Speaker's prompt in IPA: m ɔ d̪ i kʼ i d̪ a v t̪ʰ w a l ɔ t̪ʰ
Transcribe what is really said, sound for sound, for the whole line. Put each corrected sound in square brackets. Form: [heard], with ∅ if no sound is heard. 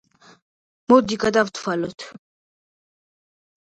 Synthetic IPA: m ɔ d̪ i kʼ [a] d̪ a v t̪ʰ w a l ɔ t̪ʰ